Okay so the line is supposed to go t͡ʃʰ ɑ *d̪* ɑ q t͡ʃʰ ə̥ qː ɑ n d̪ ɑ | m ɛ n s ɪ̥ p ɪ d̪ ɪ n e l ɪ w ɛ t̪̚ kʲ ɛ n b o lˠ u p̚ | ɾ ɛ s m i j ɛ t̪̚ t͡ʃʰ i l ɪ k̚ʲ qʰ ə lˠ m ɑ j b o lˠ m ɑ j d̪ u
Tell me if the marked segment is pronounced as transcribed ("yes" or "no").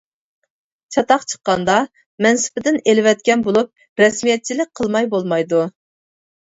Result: no